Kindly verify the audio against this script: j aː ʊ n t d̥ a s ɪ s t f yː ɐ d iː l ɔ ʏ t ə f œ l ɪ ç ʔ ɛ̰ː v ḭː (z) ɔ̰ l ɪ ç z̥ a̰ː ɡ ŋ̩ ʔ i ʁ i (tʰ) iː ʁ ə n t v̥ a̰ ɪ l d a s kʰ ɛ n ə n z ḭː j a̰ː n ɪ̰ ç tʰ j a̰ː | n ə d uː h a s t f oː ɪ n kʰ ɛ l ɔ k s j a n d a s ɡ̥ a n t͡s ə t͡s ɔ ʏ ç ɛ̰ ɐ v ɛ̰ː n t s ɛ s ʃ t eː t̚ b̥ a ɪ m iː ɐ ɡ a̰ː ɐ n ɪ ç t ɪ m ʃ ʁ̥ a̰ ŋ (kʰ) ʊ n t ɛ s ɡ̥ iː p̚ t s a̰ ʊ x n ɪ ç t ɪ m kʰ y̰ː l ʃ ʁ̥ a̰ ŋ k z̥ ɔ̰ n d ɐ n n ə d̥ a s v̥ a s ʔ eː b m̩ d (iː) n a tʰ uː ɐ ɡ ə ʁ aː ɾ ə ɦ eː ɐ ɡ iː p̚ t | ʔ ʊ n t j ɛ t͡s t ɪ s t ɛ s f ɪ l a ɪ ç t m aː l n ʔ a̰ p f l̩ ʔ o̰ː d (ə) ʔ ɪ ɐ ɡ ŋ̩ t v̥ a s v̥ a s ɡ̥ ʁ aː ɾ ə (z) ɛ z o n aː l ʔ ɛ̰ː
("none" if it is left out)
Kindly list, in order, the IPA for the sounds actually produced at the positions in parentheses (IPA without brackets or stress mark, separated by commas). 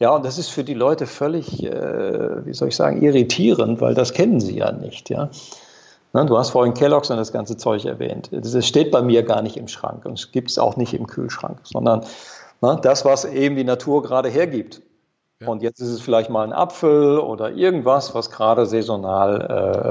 z, tʰ, k, iː, ɐ, z